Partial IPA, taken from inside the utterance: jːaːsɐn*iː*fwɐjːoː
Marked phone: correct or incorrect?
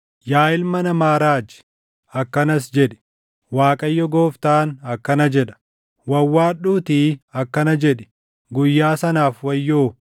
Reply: incorrect